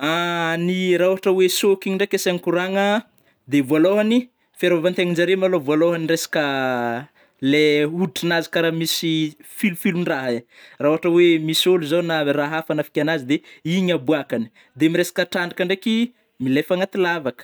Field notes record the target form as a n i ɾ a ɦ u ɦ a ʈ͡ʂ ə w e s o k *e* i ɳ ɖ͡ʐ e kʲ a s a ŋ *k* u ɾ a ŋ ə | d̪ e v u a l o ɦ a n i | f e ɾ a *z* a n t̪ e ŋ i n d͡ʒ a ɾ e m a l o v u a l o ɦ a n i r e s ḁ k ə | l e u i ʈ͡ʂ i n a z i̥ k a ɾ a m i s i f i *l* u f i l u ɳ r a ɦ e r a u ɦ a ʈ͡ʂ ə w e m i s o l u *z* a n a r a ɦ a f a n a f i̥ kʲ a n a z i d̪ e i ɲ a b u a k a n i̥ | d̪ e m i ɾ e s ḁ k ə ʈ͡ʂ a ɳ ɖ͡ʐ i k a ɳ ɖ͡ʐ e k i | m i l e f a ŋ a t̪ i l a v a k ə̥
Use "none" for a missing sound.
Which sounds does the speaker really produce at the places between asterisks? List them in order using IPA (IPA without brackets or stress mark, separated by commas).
i, k, v, l, z